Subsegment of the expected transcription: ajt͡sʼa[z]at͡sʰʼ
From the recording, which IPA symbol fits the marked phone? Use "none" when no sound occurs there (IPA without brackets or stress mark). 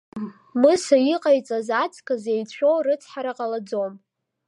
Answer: z